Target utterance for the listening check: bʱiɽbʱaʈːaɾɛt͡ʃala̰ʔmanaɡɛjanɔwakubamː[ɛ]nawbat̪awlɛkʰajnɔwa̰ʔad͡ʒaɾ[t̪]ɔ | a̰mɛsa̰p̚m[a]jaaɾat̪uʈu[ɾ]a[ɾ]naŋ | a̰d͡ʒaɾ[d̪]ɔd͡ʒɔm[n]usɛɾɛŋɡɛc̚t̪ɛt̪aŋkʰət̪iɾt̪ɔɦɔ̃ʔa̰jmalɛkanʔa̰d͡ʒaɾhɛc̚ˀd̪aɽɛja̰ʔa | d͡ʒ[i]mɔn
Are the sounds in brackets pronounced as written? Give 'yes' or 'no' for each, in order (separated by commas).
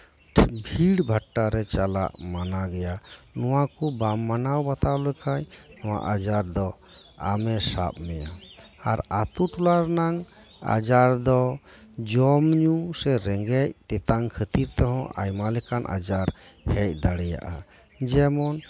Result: no, no, no, no, yes, yes, no, no